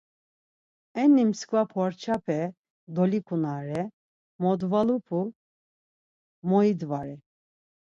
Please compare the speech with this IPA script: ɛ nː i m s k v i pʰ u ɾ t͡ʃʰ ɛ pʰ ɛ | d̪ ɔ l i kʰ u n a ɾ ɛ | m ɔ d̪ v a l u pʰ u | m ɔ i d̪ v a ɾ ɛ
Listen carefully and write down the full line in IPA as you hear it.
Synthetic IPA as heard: ɛ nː i m s k v a pʰ ɔ ɾ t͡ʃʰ a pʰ ɛ | d̪ ɔ l i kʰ u n a ɾ ɛ | m ɔ d̪ v a l u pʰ u | m ɔ i d̪ v a ɾ ɛ